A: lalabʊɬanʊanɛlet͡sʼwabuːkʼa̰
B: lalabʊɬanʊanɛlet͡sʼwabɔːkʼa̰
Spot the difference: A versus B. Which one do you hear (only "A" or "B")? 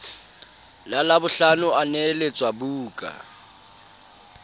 A